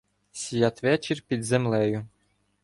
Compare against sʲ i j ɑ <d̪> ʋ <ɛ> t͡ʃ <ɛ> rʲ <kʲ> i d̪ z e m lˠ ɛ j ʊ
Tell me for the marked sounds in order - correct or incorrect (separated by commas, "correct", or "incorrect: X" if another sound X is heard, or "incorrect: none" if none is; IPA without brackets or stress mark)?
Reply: incorrect: t̪, correct, incorrect: i, incorrect: pʲ